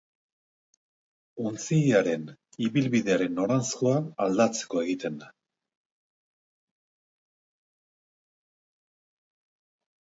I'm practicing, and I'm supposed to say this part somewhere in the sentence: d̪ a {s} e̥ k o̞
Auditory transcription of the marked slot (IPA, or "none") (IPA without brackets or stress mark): t͡s